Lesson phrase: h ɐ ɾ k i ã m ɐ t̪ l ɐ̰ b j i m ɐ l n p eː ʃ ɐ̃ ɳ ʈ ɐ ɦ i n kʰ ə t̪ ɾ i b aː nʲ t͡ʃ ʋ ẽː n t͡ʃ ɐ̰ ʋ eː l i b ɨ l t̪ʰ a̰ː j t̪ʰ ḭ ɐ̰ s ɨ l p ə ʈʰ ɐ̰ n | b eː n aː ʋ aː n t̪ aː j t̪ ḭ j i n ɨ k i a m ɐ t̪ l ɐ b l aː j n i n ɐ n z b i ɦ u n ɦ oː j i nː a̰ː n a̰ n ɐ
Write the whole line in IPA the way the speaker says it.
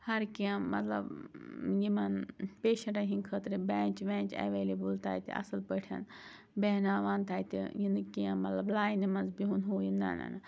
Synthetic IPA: h ɐ ɾ k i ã m ɐ t̪ l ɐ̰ b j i m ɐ n p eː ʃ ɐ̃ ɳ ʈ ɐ ɦ i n kʰ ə t̪ ɾ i b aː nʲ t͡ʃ ʋ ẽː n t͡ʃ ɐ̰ ʋ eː l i b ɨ l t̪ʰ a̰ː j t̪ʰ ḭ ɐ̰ s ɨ l p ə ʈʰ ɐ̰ n | b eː n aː ʋ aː n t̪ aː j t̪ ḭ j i n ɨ k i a m ɐ t̪ l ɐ b l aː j n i m ɐ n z b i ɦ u n ɦ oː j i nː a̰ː n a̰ n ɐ